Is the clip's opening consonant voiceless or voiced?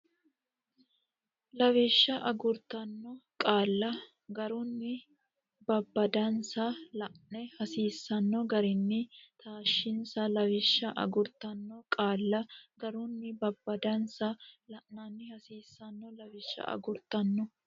voiced